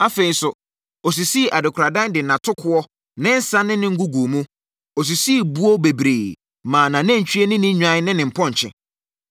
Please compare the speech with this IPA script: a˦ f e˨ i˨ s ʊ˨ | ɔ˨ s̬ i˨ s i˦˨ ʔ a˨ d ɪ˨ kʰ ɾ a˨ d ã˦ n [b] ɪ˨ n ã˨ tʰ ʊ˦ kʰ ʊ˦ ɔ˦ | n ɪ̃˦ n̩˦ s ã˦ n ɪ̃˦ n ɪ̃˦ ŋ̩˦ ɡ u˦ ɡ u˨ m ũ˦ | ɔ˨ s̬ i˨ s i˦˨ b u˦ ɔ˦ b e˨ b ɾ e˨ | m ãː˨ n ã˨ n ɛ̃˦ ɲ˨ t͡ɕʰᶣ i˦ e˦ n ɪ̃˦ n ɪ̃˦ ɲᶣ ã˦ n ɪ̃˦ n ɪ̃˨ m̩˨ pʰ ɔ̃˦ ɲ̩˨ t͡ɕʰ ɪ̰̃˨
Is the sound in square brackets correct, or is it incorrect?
incorrect